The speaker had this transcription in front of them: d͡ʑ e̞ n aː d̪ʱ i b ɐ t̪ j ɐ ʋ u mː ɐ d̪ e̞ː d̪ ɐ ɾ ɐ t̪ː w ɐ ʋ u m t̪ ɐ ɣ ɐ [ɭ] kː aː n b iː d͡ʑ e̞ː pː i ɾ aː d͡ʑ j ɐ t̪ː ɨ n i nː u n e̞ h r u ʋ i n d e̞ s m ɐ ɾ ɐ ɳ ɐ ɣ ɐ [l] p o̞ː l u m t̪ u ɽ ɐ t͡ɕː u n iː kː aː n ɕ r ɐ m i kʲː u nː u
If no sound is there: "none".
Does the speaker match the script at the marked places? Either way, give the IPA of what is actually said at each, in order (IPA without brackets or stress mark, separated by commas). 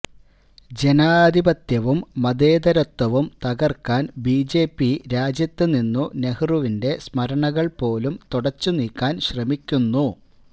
r, ɭ